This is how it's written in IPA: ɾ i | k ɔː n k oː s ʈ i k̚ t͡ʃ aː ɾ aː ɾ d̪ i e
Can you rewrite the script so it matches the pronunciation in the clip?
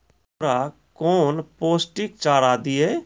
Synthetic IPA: ɾ a | k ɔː n p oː s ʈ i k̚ t͡ʃ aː ɾ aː d̪ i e